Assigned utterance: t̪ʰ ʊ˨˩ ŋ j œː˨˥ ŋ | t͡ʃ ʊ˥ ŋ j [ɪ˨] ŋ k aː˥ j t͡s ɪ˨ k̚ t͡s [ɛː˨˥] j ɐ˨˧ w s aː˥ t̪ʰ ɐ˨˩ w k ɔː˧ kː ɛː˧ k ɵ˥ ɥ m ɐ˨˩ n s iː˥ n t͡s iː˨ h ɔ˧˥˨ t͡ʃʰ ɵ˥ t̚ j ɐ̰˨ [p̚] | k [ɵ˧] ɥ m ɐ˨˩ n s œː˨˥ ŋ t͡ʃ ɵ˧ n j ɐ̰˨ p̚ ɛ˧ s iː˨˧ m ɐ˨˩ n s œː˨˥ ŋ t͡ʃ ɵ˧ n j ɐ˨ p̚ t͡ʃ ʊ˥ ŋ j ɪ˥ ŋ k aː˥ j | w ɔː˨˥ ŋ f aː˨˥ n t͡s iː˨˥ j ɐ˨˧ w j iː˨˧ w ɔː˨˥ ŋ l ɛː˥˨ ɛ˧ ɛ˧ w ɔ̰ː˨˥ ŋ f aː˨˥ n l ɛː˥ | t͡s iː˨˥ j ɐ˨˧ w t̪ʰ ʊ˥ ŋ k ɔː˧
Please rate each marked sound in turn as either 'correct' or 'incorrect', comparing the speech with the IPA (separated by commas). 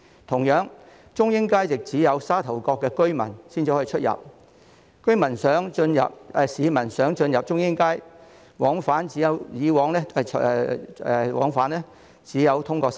incorrect, incorrect, correct, incorrect